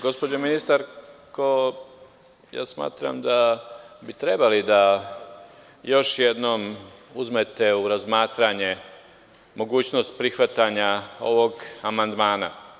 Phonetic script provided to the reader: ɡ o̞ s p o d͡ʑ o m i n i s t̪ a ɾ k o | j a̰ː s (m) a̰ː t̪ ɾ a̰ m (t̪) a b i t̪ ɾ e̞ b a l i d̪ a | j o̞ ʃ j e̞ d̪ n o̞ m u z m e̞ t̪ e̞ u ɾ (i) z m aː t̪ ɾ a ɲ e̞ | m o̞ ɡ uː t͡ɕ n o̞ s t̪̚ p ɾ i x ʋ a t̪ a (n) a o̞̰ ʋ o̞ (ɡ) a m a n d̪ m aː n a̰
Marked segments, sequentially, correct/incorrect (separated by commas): correct, incorrect, incorrect, incorrect, correct